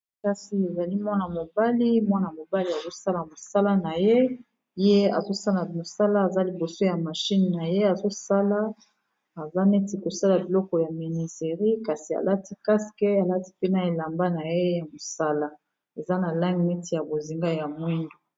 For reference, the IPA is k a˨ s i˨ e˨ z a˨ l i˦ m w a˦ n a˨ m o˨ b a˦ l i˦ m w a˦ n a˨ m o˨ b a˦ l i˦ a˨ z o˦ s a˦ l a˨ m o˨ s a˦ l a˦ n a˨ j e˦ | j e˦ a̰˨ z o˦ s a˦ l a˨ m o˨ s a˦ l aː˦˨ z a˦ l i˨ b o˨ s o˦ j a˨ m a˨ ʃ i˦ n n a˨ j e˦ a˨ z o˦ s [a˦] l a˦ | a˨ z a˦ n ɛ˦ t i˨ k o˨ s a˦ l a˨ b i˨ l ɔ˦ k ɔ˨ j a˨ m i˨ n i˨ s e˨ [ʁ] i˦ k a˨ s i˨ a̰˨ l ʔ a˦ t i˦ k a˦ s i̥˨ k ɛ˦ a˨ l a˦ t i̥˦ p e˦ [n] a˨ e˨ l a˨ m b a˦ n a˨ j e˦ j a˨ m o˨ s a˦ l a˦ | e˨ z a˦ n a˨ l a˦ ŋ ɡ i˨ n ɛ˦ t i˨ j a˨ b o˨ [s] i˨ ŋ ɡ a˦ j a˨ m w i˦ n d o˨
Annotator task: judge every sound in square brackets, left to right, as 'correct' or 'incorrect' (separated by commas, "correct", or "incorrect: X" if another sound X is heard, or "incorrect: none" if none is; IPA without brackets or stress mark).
correct, correct, correct, incorrect: z